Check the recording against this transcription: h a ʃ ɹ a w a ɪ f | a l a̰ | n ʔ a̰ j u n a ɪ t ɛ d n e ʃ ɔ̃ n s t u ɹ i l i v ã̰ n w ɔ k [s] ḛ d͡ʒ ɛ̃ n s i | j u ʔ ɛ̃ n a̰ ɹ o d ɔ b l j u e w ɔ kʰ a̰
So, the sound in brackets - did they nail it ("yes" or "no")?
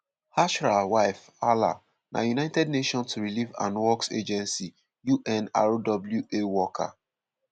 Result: yes